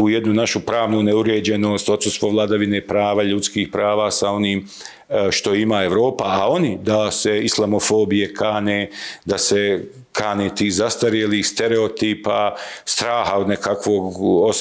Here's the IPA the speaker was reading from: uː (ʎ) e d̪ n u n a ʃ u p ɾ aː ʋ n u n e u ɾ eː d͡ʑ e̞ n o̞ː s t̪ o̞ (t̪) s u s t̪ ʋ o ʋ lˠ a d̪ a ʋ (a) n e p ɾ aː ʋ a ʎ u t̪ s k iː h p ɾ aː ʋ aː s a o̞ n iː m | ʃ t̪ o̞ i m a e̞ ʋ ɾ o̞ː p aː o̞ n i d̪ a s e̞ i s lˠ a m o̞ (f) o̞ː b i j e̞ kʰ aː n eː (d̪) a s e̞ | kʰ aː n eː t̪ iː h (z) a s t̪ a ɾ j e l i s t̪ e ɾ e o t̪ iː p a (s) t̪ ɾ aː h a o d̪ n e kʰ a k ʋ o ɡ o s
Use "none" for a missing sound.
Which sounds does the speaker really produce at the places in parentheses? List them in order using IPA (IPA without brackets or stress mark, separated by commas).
j, t̪, i, f, d̪, z, s